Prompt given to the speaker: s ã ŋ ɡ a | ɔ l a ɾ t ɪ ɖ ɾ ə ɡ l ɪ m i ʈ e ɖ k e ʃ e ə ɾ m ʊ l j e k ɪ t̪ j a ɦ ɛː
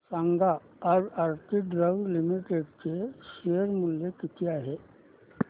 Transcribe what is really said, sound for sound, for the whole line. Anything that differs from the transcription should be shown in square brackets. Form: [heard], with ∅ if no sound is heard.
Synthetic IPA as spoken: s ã ŋ ɡ a | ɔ [ɾ] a ɾ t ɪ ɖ ɾ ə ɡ l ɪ m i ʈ e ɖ k e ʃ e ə ɾ m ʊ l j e k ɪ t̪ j a ɦ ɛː